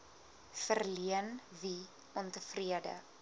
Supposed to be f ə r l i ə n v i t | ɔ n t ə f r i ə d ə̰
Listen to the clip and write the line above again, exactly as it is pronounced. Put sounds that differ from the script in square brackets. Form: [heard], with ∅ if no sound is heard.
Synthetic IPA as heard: f ə r l i ə n v i [∅] | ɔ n t ə f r i ə d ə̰